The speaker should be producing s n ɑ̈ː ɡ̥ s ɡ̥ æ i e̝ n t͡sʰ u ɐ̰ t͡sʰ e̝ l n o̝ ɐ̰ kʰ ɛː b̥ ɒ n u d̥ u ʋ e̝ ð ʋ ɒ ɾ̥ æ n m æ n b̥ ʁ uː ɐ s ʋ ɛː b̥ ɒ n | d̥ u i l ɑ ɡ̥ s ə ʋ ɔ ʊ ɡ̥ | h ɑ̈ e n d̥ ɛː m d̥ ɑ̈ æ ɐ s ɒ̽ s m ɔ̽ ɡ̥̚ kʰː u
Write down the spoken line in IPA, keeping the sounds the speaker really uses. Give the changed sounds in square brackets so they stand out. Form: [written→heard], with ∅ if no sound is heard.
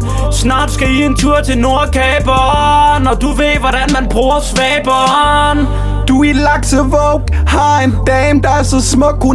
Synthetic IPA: s n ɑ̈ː [ɡ̥→d̥] s ɡ̥ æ i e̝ n t͡sʰ u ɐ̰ t͡sʰ e̝ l n o̝ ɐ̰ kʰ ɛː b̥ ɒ n [u→ɒ] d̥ u ʋ e̝ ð ʋ ɒ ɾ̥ æ n m æ n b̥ ʁ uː ɐ s ʋ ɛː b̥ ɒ n | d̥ u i l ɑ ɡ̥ s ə ʋ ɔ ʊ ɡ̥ | h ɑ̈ e n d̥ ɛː m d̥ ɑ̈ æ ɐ s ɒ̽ s m ɔ̽ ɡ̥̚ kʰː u